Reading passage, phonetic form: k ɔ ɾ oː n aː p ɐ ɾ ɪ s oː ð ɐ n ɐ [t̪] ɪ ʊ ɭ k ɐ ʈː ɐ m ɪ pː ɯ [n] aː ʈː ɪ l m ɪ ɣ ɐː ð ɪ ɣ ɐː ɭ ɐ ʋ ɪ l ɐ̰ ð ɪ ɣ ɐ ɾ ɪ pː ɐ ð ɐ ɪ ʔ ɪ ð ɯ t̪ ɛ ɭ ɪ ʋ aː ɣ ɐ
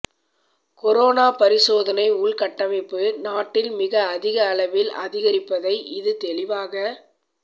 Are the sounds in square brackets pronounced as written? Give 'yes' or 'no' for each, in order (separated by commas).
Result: no, yes